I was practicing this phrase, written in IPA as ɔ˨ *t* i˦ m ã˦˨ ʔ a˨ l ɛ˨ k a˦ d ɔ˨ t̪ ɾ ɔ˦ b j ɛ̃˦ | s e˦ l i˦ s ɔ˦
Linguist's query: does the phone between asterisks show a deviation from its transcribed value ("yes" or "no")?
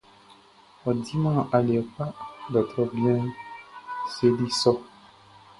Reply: yes